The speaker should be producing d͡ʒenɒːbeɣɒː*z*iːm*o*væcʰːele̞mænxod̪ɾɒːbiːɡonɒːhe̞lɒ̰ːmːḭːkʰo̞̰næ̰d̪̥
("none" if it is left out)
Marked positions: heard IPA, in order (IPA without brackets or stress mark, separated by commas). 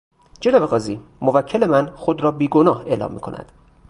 z, o